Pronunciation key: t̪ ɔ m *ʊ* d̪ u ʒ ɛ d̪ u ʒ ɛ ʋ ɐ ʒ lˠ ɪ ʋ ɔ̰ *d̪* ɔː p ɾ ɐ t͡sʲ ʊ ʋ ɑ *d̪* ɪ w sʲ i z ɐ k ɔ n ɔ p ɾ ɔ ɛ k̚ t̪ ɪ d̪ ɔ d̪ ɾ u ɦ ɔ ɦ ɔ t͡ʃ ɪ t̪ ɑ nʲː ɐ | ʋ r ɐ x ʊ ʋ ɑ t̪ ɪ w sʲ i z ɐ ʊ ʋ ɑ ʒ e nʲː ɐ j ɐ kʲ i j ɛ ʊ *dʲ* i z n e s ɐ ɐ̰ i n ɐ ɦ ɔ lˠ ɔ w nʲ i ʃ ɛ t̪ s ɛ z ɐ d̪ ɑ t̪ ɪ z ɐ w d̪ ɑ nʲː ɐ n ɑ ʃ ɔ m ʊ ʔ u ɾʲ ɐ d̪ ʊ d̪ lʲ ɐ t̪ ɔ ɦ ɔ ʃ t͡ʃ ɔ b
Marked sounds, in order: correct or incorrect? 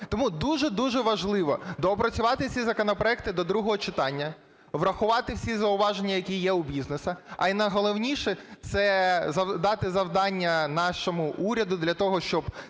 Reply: incorrect: u, correct, incorrect: t̪, incorrect: bʲ

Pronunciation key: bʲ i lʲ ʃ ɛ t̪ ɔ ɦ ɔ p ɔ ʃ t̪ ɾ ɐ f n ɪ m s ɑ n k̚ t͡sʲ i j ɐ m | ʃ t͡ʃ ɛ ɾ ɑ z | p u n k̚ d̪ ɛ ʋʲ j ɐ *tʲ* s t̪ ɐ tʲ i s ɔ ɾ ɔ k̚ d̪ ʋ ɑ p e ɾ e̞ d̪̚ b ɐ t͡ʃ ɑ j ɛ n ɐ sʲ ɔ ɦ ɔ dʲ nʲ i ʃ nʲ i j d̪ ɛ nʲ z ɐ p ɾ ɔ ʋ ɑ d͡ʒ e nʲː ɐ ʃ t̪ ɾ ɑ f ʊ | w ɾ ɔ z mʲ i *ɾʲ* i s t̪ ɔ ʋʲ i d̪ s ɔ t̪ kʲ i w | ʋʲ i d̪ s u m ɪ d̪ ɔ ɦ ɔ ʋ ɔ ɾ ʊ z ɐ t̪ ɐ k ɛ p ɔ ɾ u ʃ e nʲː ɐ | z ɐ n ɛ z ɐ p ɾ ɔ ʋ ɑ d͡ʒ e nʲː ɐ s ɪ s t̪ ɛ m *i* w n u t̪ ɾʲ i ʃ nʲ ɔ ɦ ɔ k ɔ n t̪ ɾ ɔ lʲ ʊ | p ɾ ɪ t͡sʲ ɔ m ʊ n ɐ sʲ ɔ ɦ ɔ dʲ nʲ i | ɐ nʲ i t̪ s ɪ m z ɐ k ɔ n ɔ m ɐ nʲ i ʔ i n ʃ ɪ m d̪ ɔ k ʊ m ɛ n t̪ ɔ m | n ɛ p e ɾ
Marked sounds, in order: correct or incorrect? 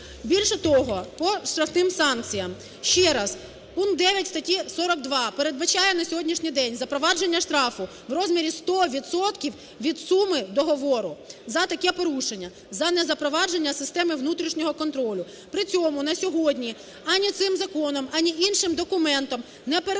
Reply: correct, correct, incorrect: ɪ

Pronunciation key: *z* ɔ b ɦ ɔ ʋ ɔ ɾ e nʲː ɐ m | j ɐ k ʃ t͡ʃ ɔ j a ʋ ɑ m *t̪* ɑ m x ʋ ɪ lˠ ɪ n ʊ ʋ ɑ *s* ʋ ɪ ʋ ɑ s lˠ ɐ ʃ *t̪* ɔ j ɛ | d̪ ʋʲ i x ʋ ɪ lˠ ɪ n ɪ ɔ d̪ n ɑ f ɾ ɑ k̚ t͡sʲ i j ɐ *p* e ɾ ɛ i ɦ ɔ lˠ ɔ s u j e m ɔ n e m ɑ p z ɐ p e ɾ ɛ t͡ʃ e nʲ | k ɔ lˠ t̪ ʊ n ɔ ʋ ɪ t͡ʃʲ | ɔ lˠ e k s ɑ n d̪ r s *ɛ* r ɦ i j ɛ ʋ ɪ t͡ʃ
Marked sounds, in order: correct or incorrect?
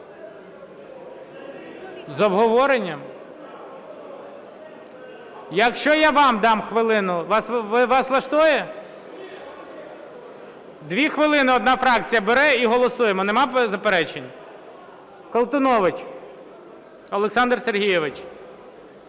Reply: correct, incorrect: d̪, correct, correct, incorrect: b, incorrect: e

